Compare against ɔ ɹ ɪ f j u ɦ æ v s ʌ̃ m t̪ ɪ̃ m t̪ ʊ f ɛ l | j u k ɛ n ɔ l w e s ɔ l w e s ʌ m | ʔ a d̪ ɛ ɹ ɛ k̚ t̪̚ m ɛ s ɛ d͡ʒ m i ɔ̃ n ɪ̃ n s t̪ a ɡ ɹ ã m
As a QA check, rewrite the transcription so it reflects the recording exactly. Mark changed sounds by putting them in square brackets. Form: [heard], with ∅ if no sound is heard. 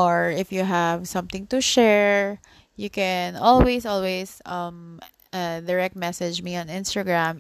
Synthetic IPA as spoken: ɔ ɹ ɪ f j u ɦ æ v s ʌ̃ m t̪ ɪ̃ [ŋ] t̪ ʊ [ʃ] ɛ [ɹ] | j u k ɛ n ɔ l w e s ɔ l w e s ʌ m | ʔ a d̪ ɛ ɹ ɛ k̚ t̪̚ m ɛ s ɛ d͡ʒ m i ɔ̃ n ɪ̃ n s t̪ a ɡ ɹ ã m